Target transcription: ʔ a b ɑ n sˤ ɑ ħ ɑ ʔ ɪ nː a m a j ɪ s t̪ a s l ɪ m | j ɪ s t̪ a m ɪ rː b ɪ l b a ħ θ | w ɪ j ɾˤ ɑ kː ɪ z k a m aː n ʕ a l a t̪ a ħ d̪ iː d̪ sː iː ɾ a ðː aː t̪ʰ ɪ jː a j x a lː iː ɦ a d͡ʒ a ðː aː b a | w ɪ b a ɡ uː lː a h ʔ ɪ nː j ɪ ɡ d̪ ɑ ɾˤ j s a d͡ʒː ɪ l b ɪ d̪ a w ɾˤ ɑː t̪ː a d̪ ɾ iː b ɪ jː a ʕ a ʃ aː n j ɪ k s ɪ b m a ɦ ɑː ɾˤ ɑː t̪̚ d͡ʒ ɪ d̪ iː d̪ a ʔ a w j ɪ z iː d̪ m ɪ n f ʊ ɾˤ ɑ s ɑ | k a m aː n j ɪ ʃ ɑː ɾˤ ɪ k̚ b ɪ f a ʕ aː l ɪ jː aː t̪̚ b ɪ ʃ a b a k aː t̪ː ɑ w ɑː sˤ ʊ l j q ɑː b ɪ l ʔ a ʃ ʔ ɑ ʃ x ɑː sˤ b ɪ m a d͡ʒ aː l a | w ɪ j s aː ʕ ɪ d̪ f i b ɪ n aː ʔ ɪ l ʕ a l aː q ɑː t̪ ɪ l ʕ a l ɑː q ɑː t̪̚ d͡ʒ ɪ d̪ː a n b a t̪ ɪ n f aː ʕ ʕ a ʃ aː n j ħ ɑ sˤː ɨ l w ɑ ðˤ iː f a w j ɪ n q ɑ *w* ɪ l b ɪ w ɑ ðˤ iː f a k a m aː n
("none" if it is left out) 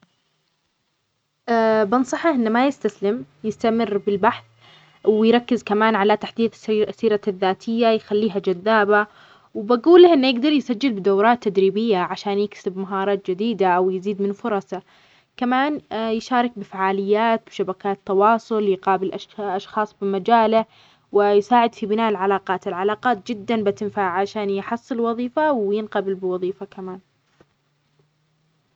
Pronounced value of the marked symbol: b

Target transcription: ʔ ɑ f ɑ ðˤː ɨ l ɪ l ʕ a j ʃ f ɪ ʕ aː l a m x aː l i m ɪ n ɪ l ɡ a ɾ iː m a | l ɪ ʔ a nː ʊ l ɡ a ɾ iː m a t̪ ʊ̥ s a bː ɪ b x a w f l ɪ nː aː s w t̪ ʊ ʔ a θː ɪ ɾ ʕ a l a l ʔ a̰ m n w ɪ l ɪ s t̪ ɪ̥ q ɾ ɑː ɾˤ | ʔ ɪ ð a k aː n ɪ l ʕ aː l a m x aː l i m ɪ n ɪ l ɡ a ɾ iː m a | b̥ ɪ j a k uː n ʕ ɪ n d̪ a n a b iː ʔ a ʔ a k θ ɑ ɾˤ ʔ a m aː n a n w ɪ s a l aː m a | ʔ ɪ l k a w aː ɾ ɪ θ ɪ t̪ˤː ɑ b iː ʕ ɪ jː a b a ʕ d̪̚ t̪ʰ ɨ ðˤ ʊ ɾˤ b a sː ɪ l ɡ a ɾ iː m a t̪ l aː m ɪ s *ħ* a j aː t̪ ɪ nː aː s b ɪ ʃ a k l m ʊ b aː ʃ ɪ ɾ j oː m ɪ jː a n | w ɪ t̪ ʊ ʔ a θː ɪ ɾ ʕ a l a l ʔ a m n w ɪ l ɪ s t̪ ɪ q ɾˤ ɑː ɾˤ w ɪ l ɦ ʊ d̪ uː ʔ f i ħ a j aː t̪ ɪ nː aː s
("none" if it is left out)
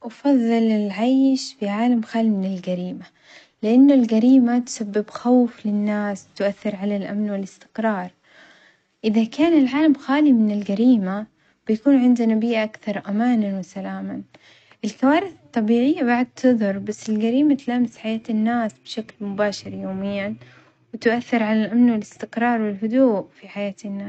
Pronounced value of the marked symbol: ħ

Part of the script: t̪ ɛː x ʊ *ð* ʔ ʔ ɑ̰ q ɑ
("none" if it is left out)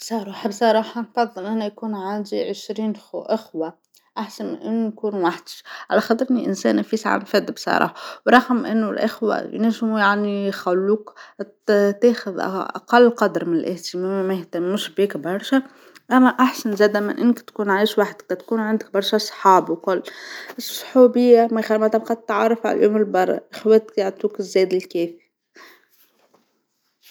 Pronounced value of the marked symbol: ð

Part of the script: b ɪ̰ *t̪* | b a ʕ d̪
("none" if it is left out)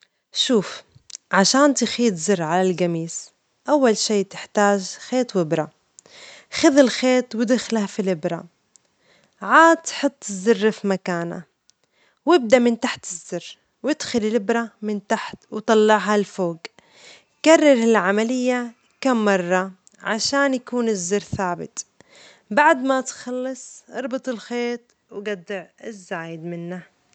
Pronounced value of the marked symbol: t̪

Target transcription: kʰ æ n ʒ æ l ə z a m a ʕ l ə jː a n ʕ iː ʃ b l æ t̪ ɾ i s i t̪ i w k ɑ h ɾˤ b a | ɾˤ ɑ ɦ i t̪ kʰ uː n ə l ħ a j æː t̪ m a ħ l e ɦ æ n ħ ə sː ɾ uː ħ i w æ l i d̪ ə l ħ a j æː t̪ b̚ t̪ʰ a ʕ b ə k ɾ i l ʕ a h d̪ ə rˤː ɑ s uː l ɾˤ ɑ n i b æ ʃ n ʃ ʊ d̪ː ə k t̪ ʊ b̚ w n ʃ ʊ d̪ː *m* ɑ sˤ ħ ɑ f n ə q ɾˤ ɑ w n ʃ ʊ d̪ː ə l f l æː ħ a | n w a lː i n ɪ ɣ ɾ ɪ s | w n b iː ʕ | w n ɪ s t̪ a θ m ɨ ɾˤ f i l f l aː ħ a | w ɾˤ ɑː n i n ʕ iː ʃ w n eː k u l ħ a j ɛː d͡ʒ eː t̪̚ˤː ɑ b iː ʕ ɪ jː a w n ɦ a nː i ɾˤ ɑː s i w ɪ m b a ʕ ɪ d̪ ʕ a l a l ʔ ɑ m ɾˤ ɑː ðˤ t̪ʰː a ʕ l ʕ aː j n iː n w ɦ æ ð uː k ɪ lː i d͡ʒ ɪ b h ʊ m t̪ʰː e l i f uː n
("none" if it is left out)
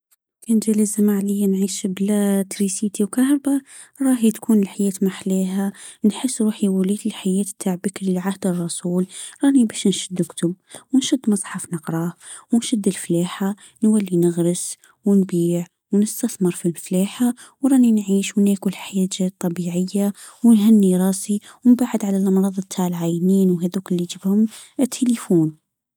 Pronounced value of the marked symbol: m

